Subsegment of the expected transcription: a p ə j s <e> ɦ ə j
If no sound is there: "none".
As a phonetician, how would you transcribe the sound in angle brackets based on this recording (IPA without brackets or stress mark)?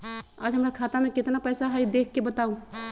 a